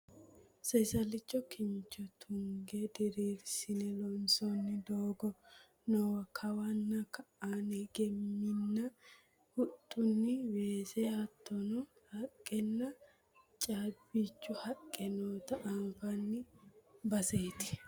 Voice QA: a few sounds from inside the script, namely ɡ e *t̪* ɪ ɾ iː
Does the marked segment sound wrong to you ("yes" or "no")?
yes